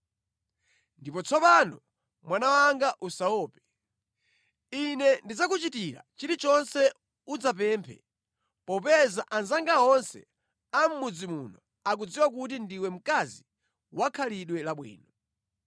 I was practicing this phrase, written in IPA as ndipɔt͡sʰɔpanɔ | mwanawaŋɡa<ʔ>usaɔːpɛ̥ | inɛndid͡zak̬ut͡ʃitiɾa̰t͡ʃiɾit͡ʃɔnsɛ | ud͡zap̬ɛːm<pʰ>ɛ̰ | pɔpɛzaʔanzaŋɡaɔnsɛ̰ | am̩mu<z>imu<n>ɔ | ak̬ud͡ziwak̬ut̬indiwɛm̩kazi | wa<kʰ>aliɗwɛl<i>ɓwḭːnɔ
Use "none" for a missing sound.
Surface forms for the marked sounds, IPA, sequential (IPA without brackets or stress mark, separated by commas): ʔ, pʰ, d͡z, n, kʰ, a